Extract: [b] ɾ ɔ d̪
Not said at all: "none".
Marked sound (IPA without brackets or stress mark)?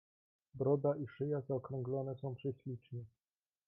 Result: b